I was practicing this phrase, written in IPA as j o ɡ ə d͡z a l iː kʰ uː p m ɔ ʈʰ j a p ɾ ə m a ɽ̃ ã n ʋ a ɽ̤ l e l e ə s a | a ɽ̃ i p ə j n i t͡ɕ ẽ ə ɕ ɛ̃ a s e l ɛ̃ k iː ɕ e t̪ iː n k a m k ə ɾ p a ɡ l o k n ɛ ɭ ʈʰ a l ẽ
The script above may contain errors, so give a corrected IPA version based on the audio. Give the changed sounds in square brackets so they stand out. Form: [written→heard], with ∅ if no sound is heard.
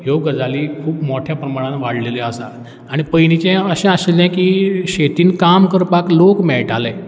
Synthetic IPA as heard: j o ɡ ə d͡z a l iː kʰ uː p m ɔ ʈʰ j a p ɾ ə m a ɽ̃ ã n ʋ a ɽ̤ l e l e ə s a | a ɽ̃ i p ə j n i t͡ɕ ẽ ə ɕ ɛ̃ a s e l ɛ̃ k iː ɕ e t̪ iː n k a m k ə ɾ p a [ɡ→k] l o k [n→m] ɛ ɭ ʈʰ a l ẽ